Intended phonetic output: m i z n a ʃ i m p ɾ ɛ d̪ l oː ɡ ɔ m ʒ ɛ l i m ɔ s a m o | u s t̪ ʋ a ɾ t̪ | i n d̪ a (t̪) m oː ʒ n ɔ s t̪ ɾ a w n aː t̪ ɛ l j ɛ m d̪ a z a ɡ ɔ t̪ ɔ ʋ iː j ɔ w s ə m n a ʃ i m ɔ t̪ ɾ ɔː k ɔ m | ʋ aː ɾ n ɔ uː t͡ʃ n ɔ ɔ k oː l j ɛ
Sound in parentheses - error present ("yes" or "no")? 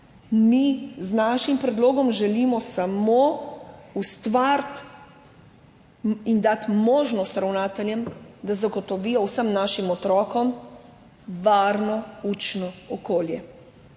no